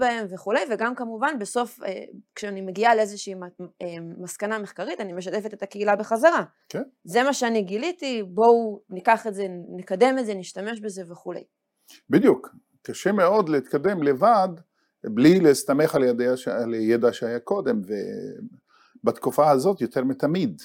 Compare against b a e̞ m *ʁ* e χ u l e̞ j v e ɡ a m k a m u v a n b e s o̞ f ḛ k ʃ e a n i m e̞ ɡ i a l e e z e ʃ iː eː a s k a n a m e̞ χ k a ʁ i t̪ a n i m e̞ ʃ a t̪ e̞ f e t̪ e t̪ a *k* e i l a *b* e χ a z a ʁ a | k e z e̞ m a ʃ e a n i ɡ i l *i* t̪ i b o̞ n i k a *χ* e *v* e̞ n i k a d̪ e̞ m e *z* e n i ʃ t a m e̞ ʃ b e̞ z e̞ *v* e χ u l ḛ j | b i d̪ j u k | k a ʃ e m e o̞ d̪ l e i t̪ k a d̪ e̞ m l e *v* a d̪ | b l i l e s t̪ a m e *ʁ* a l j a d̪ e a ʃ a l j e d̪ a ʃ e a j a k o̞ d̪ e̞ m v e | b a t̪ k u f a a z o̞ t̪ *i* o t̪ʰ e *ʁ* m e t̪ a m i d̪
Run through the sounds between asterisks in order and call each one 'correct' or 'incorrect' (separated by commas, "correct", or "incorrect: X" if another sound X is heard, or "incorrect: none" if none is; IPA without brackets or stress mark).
incorrect: v, correct, correct, correct, correct, incorrect: z, correct, correct, correct, incorrect: χ, incorrect: j, correct